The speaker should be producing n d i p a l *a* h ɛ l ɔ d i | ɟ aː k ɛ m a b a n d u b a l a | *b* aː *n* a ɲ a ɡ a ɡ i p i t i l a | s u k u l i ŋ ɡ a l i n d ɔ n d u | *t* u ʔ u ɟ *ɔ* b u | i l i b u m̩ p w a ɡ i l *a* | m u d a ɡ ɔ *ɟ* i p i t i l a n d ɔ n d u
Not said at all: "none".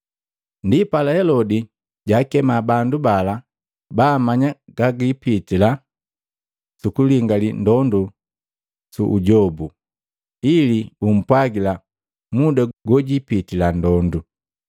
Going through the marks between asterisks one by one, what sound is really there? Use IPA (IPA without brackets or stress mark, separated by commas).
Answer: a, b, m, s, ɔ, a, ɟ